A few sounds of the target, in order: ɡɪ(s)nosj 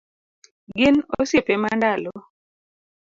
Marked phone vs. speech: incorrect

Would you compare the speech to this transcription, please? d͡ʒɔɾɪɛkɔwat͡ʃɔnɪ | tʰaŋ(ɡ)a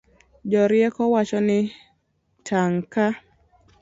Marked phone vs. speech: incorrect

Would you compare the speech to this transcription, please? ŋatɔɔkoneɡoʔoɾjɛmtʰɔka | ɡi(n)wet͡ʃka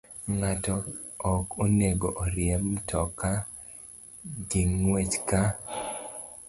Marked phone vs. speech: incorrect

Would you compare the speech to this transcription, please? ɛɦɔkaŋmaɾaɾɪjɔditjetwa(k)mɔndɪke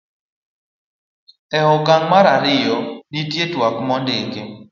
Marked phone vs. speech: correct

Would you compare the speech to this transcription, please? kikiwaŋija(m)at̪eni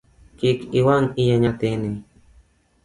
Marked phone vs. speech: incorrect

